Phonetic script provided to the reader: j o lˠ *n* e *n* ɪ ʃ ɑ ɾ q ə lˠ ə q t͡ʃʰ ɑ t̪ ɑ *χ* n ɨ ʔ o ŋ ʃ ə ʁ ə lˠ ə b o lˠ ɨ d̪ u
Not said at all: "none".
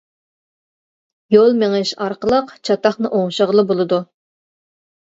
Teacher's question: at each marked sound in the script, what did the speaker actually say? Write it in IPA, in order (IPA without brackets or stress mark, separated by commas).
m, ŋ, χ